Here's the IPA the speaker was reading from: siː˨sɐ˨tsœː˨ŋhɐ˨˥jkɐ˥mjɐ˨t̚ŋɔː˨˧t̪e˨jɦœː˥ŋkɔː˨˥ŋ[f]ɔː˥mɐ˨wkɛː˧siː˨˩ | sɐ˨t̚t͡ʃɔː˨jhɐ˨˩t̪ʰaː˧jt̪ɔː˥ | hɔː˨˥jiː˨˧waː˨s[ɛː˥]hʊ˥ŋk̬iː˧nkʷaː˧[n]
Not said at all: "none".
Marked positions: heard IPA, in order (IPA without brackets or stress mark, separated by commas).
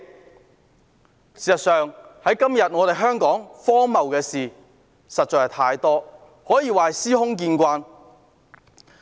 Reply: f, iː˥, n